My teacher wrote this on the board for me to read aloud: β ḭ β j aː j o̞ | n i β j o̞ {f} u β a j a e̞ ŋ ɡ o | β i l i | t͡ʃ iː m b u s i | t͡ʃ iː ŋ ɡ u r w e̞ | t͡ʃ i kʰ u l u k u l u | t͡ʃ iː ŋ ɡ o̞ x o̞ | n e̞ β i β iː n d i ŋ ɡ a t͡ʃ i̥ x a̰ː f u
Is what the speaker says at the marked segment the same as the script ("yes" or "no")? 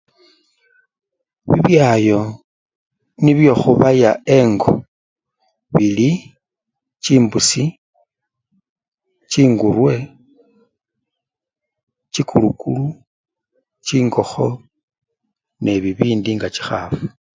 no